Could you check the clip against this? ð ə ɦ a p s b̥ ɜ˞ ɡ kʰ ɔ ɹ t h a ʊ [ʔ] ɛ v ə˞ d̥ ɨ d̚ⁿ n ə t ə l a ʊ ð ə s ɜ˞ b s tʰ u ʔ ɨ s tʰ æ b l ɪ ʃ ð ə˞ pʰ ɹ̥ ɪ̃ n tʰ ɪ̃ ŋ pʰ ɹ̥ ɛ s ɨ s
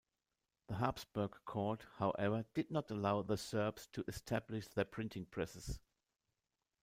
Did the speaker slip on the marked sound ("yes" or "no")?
no